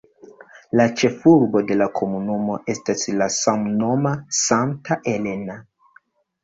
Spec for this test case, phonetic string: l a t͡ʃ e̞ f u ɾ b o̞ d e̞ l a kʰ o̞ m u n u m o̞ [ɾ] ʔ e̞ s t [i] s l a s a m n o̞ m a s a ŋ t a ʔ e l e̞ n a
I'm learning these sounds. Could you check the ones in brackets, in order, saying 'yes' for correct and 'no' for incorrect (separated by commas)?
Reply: no, no